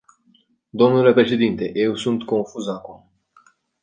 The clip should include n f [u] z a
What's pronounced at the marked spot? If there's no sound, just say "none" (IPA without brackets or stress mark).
u